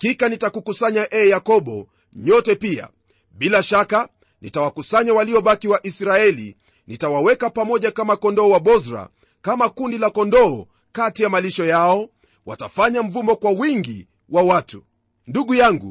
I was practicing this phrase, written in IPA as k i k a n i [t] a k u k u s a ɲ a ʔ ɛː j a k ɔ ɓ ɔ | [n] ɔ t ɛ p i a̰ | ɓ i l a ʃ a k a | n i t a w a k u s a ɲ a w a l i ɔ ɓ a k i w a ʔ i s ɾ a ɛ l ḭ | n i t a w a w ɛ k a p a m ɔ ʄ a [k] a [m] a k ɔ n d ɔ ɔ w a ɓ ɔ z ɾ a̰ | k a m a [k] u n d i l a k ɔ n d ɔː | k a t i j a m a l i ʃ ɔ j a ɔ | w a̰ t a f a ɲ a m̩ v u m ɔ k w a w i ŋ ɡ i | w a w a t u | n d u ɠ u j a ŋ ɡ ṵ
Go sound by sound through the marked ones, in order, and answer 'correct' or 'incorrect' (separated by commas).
correct, incorrect, correct, correct, correct